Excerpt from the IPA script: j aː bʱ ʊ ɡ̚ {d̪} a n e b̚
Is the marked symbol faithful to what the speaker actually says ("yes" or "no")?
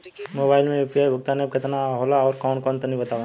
no